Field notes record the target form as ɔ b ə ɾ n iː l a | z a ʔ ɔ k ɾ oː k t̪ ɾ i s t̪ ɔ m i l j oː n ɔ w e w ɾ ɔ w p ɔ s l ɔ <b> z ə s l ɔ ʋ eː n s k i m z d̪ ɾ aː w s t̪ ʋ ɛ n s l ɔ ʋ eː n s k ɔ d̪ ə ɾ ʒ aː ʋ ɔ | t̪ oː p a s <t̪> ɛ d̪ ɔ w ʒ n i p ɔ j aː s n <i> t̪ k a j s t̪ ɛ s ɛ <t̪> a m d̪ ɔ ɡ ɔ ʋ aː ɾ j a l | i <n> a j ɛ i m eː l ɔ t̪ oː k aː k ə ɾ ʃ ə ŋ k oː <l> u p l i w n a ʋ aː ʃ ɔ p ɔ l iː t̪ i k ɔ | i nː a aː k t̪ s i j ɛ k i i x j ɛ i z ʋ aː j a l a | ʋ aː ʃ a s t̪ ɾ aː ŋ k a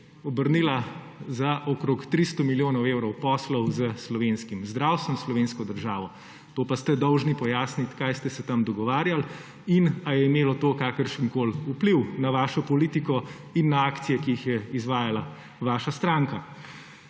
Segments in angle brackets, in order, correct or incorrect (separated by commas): incorrect, correct, correct, correct, correct, correct